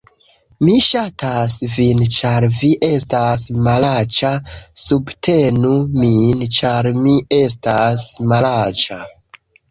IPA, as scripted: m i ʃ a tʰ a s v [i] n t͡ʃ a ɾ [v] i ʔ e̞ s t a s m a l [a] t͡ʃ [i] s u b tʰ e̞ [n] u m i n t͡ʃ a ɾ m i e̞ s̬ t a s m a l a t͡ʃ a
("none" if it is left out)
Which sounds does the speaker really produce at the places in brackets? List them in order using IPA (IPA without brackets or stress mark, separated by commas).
i, v, a, a, n